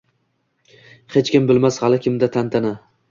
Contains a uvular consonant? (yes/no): no